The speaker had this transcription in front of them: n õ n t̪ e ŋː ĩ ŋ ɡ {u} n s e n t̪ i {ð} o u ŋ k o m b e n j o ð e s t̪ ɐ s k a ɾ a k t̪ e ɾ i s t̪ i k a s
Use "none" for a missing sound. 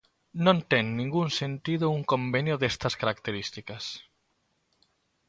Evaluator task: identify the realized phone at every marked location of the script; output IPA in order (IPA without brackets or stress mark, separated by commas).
u, ð